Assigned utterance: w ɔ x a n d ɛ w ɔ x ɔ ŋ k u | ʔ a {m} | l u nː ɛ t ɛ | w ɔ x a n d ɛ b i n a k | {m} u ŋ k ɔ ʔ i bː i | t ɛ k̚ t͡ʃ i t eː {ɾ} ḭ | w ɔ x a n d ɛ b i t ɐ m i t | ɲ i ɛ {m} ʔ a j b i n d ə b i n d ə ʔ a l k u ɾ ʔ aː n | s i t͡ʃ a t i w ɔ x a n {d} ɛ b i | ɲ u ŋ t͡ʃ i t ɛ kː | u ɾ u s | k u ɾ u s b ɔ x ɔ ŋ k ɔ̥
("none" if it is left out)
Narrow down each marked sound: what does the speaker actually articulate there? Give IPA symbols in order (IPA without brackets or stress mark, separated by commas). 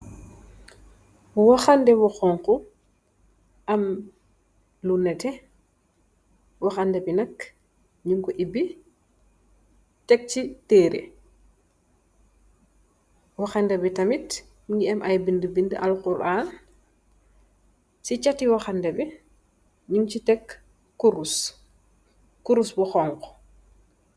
m, ɲ, ɾ, m, d